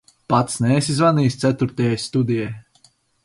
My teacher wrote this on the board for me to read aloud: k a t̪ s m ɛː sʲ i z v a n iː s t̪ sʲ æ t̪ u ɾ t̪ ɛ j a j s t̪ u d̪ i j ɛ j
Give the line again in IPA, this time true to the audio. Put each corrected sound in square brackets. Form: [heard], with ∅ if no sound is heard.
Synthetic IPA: [p] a t̪ s [n] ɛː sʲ i z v a n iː s t̪ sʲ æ t̪ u ɾ t̪ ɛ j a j s t̪ u d̪ i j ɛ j